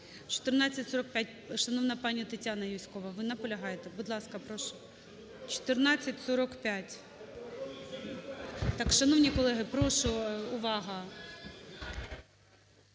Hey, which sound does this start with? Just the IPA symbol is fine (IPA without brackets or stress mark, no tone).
t͡ʃ